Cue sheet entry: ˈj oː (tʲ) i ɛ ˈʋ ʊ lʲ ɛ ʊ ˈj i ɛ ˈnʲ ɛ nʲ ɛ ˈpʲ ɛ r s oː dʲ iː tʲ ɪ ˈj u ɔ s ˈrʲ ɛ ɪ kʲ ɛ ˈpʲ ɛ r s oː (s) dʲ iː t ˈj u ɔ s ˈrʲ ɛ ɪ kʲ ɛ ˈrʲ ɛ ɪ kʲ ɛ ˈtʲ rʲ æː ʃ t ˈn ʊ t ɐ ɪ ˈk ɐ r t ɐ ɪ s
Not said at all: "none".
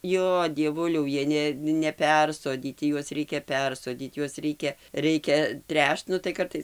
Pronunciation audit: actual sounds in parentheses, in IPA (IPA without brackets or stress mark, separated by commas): dʲ, none